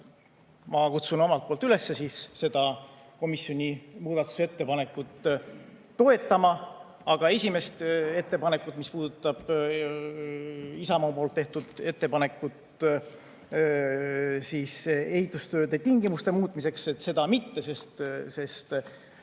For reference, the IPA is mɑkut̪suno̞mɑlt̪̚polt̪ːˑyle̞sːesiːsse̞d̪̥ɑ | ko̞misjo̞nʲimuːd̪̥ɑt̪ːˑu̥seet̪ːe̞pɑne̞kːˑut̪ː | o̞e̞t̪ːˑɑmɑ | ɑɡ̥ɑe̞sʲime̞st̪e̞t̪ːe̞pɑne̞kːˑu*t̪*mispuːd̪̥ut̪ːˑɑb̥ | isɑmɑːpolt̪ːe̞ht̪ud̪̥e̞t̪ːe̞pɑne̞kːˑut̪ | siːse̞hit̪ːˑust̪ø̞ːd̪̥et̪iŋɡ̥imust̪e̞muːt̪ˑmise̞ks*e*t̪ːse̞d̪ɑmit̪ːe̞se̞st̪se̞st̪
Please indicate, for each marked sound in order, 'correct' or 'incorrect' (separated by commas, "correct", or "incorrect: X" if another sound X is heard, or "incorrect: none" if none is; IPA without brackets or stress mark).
correct, correct